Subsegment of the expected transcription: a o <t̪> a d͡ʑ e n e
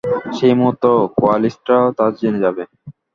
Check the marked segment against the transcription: correct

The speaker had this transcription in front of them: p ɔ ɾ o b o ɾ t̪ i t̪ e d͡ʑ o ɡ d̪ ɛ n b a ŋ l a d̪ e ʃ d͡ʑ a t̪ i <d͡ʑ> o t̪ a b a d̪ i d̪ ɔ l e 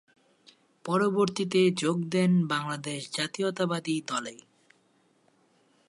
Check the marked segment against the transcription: incorrect: none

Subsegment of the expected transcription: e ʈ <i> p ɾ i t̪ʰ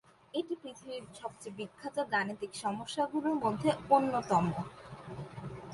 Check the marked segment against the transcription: correct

